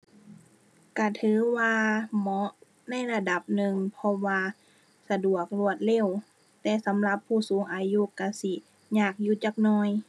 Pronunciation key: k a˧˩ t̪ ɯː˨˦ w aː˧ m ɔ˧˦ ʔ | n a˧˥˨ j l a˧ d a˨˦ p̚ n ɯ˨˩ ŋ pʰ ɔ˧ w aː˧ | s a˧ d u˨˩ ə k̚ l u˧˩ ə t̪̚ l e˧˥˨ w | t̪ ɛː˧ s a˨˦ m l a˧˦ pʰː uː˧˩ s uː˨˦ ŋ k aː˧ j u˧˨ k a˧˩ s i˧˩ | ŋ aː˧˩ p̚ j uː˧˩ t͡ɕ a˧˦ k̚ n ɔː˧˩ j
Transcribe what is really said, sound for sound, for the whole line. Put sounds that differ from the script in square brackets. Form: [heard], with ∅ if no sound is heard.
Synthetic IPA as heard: k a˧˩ [t̪ʰ] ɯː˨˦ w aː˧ m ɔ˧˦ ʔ | n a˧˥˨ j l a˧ d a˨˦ p̚ n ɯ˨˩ ŋ pʰ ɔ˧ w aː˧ | s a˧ d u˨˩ ə k̚ l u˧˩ ə t̪̚ l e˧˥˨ w | t̪ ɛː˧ s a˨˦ m l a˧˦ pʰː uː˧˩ s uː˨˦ ŋ [ʔ] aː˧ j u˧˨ k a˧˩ s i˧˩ | [ɲ] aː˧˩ [k̚] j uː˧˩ t͡ɕ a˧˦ k̚ n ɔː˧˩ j